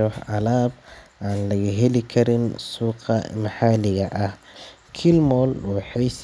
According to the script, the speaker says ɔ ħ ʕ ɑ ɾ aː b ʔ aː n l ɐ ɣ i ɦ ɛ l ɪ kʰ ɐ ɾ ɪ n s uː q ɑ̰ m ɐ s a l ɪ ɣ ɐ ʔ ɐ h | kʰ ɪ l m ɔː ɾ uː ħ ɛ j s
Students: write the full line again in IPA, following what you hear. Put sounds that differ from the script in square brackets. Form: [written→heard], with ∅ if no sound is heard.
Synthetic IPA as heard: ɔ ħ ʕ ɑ [ɾ→l] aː b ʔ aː n l ɐ ɣ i ɦ ɛ l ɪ kʰ ɐ ɾ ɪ n s uː q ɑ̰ m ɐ [s→ħ] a l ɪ ɣ ɐ ʔ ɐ h | kʰ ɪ l m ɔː [ɾ→l] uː ħ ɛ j s